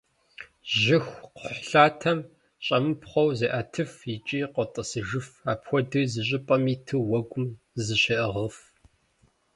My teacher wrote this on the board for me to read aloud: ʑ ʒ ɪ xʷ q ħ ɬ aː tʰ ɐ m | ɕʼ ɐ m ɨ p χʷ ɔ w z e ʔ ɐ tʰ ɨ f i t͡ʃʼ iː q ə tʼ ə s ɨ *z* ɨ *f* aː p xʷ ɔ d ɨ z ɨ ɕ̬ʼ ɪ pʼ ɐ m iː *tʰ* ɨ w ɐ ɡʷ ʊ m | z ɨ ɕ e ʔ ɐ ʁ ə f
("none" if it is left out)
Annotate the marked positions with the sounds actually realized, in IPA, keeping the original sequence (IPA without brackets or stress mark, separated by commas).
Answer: ʒ, f, tʰ